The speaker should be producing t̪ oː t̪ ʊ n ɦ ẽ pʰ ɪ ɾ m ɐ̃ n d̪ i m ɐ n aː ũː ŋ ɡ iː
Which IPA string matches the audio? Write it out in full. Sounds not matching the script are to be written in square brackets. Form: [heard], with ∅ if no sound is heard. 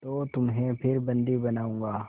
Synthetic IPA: t̪ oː t̪ ʊ [m] ɦ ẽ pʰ ɪ ɾ [b] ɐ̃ n d̪ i [b] ɐ n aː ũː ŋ ɡ [aː]